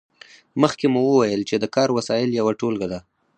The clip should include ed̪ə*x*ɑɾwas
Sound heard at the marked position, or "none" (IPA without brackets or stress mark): k